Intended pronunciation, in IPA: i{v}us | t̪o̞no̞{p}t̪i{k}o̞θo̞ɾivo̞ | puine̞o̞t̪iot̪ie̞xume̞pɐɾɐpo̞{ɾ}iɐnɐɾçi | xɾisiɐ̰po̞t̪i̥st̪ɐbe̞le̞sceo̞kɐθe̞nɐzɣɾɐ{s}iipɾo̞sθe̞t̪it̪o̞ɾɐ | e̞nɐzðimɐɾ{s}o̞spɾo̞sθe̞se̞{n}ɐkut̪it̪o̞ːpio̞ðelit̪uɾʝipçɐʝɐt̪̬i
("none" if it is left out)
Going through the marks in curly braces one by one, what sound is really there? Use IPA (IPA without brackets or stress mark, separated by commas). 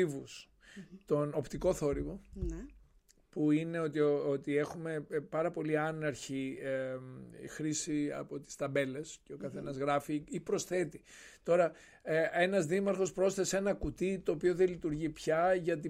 v, p, k, l, f, x, n